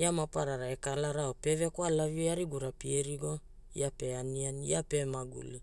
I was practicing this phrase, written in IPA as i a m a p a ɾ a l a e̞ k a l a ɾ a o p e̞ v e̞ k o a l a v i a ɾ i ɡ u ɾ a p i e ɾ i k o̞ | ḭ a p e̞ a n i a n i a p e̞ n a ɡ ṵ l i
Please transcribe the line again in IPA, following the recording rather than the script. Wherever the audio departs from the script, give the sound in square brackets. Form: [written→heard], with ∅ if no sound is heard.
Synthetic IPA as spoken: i a m a p a ɾ a [l→ɾ] a e̞ k a l a ɾ a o p e̞ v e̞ k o a l a v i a ɾ i ɡ u ɾ a p i e ɾ i [k→ɡ] o̞ | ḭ a p e̞ a n i a n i a p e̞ [n→m] a ɡ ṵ l i